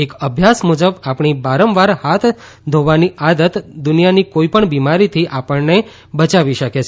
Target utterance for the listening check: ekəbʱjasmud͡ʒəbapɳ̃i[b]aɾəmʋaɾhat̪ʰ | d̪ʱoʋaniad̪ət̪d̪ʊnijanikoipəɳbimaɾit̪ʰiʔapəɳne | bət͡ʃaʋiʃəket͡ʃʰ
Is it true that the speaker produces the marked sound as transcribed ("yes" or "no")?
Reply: yes